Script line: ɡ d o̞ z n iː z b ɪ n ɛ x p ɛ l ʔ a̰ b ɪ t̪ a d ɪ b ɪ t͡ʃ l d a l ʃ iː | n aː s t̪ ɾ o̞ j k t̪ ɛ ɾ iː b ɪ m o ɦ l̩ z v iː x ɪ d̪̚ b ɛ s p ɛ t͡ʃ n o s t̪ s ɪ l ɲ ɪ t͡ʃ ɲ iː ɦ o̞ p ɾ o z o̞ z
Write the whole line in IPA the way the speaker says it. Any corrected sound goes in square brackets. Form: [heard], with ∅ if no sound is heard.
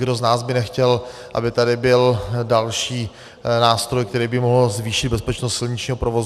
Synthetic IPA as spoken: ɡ d o̞ z n [aː] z b ɪ n ɛ x [c] ɛ l ʔ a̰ b ɪ t̪ a d ɪ b ɪ [∅] l d a l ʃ iː | n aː s t̪ ɾ o̞ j k t̪ ɛ ɾ iː b ɪ m o ɦ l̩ z v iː [ʃ] ɪ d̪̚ b ɛ s p ɛ t͡ʃ n o s t̪ s ɪ l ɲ ɪ t͡ʃ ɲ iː ɦ o̞ p ɾ o [v] o̞ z